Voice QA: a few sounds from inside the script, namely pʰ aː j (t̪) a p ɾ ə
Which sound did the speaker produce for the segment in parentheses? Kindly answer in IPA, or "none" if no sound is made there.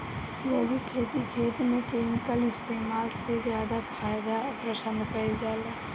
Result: d̪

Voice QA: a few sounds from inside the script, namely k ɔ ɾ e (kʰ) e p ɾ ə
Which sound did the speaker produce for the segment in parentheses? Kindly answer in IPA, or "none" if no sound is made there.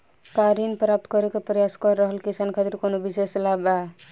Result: k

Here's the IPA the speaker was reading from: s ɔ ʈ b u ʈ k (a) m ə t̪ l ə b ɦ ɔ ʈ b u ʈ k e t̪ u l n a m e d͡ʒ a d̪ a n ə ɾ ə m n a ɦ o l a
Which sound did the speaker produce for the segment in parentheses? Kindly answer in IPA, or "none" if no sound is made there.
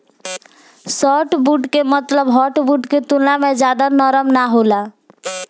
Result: e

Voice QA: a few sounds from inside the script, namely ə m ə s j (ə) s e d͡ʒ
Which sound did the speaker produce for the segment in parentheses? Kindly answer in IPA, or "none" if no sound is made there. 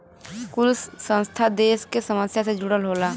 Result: a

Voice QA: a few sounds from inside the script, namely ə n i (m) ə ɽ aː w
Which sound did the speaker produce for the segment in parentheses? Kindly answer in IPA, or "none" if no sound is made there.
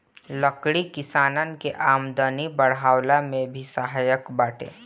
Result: b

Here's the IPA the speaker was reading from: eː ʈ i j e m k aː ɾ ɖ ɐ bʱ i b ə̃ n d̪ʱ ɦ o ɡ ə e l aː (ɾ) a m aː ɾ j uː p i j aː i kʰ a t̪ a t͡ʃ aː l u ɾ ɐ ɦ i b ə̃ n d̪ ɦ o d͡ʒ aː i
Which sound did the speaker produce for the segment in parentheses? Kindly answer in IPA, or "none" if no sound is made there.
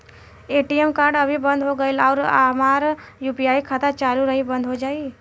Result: ɾ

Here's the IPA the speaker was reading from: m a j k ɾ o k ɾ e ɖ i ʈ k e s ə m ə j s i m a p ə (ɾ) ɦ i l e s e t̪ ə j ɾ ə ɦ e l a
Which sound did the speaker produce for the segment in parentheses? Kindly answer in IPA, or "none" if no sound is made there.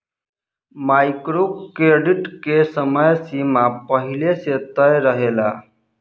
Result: none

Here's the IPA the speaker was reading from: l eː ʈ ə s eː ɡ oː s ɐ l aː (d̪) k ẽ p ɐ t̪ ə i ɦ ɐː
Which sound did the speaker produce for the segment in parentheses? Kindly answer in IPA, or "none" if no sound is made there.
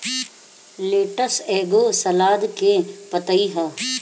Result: d̪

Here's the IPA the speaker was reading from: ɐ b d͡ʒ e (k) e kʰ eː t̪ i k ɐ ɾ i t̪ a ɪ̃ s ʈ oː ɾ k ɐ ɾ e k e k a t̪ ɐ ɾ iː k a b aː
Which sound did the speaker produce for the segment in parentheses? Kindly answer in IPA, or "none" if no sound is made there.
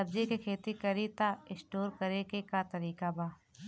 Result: k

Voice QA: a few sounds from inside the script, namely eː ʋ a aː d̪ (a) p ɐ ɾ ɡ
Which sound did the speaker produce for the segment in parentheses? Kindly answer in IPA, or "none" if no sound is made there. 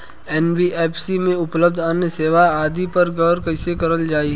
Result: i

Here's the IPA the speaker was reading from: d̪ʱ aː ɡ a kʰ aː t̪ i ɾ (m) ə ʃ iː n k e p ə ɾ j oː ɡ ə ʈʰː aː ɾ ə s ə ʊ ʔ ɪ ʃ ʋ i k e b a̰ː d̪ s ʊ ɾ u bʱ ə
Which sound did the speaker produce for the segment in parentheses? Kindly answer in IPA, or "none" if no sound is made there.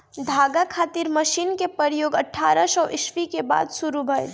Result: m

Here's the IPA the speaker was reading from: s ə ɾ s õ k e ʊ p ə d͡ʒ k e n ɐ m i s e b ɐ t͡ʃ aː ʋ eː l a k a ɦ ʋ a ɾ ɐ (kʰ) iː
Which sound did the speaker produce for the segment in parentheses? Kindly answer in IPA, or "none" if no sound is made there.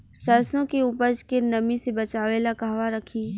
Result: kʰ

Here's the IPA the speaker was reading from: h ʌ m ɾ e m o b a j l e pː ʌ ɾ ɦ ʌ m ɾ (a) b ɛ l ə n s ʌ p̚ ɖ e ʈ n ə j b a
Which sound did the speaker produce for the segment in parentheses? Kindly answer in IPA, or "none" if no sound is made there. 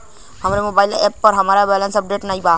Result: a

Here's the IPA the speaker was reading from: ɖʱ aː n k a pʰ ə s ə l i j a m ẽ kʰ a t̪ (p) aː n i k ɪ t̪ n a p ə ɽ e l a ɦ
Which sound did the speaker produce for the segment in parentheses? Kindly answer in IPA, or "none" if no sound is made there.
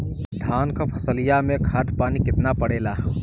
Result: p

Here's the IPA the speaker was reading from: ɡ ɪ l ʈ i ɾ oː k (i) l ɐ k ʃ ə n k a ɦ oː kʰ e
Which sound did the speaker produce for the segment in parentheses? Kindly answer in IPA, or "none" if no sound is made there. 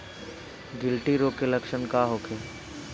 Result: e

